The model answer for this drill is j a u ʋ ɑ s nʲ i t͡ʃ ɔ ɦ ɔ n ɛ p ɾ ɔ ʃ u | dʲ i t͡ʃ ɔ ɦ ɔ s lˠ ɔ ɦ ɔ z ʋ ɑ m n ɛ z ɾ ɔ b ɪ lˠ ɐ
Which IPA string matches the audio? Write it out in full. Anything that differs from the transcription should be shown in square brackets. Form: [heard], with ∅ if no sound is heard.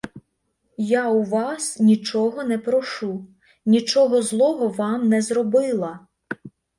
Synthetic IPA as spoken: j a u ʋ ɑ s nʲ i t͡ʃ ɔ ɦ ɔ n ɛ p ɾ ɔ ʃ u | [nʲ] i t͡ʃ ɔ ɦ ɔ [z] lˠ ɔ ɦ ɔ [∅] ʋ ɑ m n ɛ z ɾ ɔ b ɪ lˠ ɐ

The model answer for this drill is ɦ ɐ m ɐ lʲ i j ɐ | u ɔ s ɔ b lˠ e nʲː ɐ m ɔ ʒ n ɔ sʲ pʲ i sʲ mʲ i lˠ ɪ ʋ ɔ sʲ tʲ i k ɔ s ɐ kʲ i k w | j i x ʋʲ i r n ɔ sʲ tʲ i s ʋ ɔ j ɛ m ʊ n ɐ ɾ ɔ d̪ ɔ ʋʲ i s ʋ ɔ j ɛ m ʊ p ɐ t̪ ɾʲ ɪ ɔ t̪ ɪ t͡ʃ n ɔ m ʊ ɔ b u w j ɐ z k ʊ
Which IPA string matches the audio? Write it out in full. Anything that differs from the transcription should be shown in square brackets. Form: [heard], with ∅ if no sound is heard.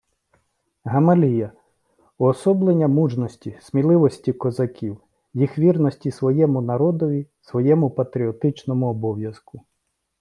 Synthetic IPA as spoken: ɦ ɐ m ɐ lʲ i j ɐ | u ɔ s ɔ b lˠ e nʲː ɐ m [u] ʒ n ɔ sʲ [tʲ] i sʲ mʲ i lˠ ɪ ʋ ɔ sʲ tʲ i k ɔ [z] ɐ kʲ i [∅] w | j i x ʋʲ i r n ɔ sʲ tʲ i s ʋ ɔ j ɛ m ʊ n ɐ ɾ ɔ d̪ ɔ ʋʲ i s ʋ ɔ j ɛ m ʊ p ɐ t̪ ɾʲ [i] ɔ t̪ ɪ t͡ʃ n ɔ m ʊ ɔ b [ɔ] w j ɐ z k ʊ

